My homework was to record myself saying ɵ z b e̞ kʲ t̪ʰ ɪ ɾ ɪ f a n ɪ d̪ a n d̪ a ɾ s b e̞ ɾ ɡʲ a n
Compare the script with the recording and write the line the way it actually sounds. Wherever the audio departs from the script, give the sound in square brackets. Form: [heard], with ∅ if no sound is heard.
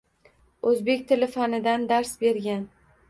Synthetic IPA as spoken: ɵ z b e̞ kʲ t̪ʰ ɪ [l] ɪ f a n ɪ d̪ a n d̪ a ɾ s b e̞ ɾ ɡʲ a n